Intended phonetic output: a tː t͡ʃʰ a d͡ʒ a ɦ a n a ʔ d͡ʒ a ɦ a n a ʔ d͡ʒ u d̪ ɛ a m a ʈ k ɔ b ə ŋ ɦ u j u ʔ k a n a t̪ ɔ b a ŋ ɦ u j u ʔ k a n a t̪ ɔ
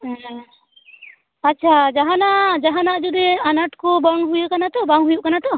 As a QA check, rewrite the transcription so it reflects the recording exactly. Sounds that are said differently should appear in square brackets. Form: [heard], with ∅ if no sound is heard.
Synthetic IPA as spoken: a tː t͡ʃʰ a d͡ʒ a ɦ a n a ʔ d͡ʒ a ɦ a n a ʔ d͡ʒ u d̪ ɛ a [n] a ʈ k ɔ b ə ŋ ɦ u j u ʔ k a n a t̪ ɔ b a ŋ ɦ u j u ʔ k a n a t̪ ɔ